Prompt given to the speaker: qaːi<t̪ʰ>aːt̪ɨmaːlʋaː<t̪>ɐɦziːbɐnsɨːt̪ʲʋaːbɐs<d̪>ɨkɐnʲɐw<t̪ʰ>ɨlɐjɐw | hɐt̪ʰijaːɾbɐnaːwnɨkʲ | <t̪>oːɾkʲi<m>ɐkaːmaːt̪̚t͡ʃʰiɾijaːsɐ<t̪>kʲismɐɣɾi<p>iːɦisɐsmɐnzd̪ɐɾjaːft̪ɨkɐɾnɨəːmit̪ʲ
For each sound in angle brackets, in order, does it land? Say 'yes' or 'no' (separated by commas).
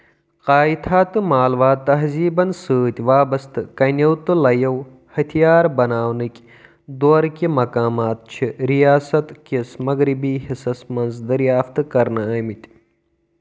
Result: yes, yes, no, no, no, yes, yes, no